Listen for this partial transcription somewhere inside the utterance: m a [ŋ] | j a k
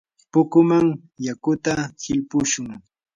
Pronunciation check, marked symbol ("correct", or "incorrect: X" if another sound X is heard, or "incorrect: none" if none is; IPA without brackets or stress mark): correct